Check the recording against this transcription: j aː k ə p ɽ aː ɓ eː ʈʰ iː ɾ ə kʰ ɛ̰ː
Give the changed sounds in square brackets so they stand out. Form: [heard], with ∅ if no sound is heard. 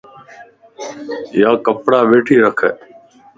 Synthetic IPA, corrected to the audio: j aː k ə p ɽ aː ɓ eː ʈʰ iː ɾ ə kʰ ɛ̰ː